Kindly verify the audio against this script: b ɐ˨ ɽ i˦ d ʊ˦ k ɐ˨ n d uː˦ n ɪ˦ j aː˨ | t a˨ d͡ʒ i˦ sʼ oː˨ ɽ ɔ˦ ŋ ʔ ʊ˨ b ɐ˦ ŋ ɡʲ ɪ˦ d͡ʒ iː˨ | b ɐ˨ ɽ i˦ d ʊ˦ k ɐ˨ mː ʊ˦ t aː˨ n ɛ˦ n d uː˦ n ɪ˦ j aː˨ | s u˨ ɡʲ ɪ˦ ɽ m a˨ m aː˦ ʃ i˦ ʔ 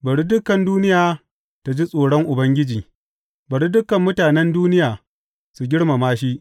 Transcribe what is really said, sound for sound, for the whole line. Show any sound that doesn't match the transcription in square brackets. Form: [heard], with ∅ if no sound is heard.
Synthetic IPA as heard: b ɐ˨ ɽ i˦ d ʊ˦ k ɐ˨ n d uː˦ n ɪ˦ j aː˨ | t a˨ d͡ʒ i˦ sʼ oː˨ ɽ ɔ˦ ŋ ʔ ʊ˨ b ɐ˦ ŋ ɡʲ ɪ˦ d͡ʒ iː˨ | b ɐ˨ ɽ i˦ d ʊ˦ k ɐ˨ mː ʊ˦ t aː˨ n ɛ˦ n d uː˦ n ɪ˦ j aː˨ | s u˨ ɡʲ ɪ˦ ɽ m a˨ m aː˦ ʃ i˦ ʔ